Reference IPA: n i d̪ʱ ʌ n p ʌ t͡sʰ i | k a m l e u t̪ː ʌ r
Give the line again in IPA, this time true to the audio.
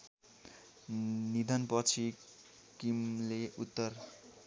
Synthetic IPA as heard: n i d̪ʱ ʌ n p ʌ t͡sʰ i | k i m l e u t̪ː ʌ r